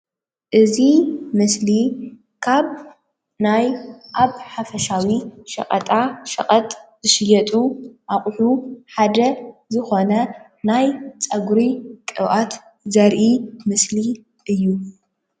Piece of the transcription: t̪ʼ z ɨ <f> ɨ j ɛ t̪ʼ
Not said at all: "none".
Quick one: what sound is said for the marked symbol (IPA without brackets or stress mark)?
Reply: ʃ